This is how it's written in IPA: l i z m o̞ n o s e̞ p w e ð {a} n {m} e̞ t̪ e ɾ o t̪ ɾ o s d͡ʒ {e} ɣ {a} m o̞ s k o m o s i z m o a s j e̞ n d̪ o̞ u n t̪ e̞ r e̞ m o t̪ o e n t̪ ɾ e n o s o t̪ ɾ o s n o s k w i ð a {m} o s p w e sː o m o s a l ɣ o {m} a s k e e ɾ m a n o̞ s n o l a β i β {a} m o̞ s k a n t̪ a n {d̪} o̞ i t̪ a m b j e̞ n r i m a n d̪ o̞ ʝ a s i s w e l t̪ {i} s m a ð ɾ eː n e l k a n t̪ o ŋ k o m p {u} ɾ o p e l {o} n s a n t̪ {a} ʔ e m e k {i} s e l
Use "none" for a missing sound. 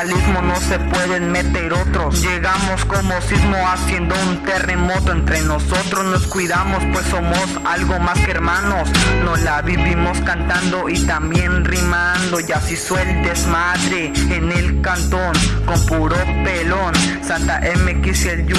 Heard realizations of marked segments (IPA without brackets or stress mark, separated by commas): e, m, e, a, m, m, i, d̪, e, u, o, a, i